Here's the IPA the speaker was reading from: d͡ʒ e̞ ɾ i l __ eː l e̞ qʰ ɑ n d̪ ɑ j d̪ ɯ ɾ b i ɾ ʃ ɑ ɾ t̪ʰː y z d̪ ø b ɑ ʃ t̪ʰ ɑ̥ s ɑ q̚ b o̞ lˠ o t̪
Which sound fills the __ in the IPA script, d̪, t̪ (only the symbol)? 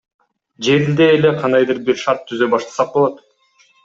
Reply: d̪